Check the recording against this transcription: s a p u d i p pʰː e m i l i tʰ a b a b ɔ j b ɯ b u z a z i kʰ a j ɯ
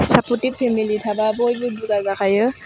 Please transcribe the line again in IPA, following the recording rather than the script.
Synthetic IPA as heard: s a p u t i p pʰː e m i l i tʰ a b a b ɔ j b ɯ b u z a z a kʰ a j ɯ